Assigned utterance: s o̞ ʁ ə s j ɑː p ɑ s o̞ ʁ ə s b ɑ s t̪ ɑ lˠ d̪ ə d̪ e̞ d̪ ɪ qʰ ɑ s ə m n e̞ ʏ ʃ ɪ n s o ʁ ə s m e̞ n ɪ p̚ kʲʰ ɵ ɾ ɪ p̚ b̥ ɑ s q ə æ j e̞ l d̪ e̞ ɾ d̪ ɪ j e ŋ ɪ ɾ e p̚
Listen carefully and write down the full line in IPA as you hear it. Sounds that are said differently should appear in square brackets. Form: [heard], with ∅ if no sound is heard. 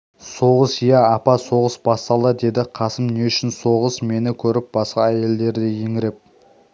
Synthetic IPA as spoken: s o̞ ʁ ə s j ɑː p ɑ s o̞ ʁ ə s b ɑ s t̪ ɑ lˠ d̪ ə d̪ e̞ d̪ ɪ qʰ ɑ s ə m n e̞ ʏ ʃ ɪ n s o ʁ ə s m e̞ n ɪ [∅] kʲʰ ɵ ɾ ɪ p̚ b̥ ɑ s q [ɑ] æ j e̞ l d̪ e̞ ɾ d̪ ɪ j e ŋ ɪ ɾ e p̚